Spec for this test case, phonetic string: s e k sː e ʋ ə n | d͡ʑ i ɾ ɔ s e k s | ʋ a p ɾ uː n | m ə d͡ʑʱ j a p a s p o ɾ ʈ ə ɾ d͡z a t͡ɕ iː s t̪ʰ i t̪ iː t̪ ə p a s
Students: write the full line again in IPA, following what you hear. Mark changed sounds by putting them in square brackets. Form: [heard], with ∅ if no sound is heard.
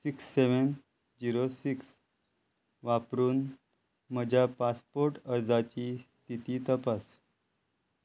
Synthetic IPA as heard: s [i] k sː e ʋ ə n | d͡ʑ i ɾ [o] s [i] k s | ʋ a p ɾ uː n | m ə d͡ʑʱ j a p a s p o ɾ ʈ ə ɾ d͡z a t͡ɕ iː s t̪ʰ i t̪ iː t̪ ə p a s

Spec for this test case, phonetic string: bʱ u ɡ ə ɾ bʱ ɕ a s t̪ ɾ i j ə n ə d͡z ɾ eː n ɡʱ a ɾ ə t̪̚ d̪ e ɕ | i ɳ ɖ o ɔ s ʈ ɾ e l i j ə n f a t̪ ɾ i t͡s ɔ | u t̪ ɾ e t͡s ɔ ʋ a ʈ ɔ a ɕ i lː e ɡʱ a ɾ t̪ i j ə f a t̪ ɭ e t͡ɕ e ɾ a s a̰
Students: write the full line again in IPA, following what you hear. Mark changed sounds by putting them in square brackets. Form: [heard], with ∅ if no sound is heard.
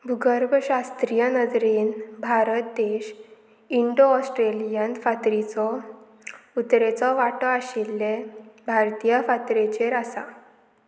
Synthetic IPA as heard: bʱ u ɡ ə ɾ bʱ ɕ a s t̪ ɾ i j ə n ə d͡z ɾ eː n [bʱ] a ɾ ə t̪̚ d̪ e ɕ | i ɳ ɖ o ɔ s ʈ ɾ e l i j ə n f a t̪ ɾ i t͡s ɔ | u t̪ ɾ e t͡s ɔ ʋ a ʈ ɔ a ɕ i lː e [bʱ] a ɾ t̪ i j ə f a t̪ [ɾ] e t͡ɕ e ɾ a s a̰

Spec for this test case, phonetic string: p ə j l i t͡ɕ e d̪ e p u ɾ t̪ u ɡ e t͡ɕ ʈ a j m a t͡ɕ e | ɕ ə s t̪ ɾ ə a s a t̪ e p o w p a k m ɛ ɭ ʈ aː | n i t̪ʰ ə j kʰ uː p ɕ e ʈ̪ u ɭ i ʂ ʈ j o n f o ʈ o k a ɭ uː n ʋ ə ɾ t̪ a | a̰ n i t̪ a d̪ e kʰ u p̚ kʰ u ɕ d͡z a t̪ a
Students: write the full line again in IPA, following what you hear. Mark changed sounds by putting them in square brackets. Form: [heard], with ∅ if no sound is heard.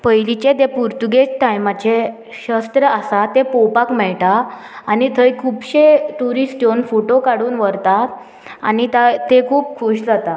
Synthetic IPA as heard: p ə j l i t͡ɕ e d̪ e p u ɾ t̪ u ɡ e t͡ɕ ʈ a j m a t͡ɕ e | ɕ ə s t̪ ɾ ə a s a t̪ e p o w p a k m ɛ ɭ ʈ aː | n i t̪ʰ ə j kʰ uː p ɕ e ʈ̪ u [ɾ] i [s] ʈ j o n f o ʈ o k a [ɽ] uː n ʋ ə ɾ t̪ a | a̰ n i t̪ a [t̪] e kʰ [uː] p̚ kʰ u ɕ d͡z a t̪ a

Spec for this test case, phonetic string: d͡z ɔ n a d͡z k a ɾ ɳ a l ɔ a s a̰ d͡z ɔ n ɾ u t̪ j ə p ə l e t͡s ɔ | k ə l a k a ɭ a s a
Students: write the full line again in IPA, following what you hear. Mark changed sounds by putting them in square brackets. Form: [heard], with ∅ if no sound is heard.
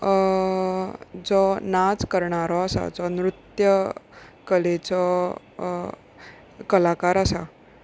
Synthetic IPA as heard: d͡z ɔ n a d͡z k [ə] ɾ ɳ a [ɾ] ɔ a s a̰ d͡z ɔ n ɾ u t̪ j ə [k] ə l e t͡s ɔ | k ə l a k a [ɾ] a s a

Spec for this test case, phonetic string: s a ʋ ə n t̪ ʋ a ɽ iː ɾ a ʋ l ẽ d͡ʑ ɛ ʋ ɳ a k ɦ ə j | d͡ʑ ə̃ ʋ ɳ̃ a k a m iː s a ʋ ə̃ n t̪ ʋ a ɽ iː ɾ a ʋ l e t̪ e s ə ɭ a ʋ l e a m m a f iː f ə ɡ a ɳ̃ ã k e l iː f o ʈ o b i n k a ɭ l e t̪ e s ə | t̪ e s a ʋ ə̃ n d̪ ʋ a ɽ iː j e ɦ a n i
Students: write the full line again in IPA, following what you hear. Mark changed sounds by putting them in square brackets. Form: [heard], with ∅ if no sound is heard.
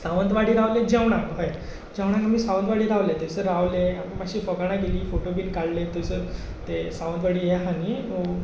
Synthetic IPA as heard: s a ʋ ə n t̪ ʋ a ɽ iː ɾ a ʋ l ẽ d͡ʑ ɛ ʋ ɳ a k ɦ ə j | d͡ʑ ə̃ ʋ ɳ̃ a k a m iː s a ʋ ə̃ n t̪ ʋ a ɽ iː ɾ a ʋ l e t̪ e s ə [ɾ] a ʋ l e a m m a [ɕ] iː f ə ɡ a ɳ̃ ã k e l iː f o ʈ o b i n k a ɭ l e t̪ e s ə | t̪ e s a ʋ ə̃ n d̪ ʋ a ɽ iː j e ɦ a n i

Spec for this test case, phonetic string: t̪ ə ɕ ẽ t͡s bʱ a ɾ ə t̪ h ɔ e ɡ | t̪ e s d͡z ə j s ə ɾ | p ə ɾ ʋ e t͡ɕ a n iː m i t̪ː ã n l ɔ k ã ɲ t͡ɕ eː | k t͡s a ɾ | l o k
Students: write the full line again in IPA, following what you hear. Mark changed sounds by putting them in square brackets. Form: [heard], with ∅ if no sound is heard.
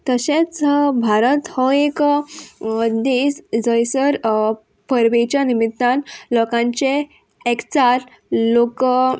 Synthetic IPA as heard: t̪ ə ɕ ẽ t͡s bʱ a ɾ ə t̪ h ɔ e [k] | [d̪] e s d͡z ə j s ə ɾ | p ə ɾ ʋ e t͡ɕ a n [i] m i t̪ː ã n l ɔ k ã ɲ t͡ɕ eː | k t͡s a ɾ | l o k

